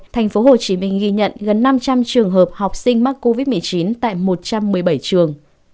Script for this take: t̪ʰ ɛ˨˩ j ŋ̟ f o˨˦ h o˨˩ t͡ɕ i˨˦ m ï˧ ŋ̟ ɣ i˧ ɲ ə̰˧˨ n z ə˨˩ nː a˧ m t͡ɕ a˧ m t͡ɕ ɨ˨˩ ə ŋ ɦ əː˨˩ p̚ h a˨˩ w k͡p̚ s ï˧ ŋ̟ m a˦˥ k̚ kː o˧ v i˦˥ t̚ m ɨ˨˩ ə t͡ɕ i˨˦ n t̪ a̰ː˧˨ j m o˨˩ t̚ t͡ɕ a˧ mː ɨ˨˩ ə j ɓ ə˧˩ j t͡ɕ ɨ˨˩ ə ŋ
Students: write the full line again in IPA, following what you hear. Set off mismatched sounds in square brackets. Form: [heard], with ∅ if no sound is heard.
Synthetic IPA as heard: t̪ʰ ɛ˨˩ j ŋ̟ f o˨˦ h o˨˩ t͡ɕ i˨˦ m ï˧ ŋ̟ ɣ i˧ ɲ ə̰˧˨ n [ɣ] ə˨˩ nː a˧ m t͡ɕ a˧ m t͡ɕ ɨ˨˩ ə ŋ ɦ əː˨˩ p̚ h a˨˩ w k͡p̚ s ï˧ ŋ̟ m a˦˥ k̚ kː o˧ v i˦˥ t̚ m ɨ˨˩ ə t͡ɕ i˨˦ n t̪ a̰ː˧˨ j m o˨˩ t̚ t͡ɕ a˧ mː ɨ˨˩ ə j ɓ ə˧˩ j t͡ɕ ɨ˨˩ ə ŋ